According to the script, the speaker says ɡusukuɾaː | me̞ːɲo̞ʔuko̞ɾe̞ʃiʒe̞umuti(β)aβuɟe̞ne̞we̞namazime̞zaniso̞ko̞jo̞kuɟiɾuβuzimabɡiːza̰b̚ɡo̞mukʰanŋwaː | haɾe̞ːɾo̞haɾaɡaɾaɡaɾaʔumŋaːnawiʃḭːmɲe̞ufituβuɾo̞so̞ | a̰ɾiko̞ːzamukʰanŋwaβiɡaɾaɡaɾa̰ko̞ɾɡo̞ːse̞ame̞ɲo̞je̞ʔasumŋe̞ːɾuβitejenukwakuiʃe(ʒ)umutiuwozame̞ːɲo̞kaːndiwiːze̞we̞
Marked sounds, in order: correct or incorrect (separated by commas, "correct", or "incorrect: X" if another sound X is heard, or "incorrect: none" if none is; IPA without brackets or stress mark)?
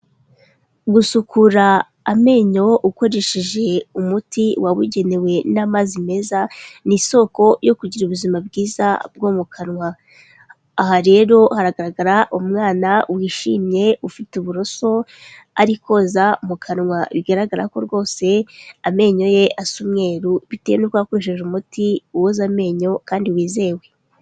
incorrect: w, correct